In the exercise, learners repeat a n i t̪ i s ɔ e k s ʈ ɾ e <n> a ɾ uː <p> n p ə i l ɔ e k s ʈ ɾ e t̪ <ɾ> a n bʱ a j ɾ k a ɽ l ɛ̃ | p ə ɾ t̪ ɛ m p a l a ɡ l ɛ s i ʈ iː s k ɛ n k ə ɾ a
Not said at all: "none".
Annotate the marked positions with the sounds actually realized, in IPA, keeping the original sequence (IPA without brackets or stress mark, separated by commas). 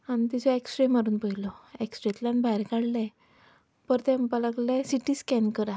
m, none, l